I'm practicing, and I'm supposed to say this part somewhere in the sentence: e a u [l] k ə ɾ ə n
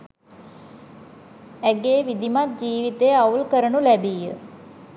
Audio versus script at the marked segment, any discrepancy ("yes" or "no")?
no